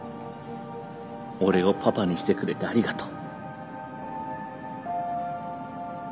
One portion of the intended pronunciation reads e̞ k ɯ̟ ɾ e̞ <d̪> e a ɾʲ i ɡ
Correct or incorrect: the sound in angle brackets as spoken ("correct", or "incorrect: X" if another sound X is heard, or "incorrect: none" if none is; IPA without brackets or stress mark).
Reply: incorrect: t̪